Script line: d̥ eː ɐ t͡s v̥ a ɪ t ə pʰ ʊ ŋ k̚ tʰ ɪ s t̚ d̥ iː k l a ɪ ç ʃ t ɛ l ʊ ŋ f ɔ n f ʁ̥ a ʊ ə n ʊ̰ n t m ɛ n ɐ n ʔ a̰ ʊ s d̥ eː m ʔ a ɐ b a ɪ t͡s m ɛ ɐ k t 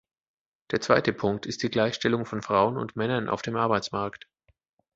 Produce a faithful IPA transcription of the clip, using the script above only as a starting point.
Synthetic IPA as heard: d̥ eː ɐ t͡s v̥ a ɪ t ə pʰ ʊ ŋ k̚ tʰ ɪ s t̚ d̥ iː ɡ l a ɪ ç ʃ t ɛ l ʊ ŋ f ɔ n f ʁ̥ a ʊ ə n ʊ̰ n t m ɛ n ɐ n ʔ a̰ ʊ f d̥ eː m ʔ a ɐ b a ɪ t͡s m a ɐ k t